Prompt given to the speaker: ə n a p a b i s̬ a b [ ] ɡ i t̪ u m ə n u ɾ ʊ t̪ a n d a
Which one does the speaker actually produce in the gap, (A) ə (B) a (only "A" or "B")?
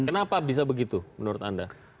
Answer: A